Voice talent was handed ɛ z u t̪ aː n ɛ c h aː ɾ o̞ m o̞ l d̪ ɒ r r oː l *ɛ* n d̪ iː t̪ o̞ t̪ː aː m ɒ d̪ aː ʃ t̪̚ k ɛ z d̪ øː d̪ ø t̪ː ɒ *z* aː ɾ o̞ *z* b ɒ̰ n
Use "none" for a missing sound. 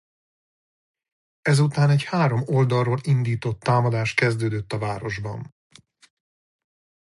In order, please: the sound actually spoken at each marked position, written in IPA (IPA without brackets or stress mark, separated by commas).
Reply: i, v, ʒ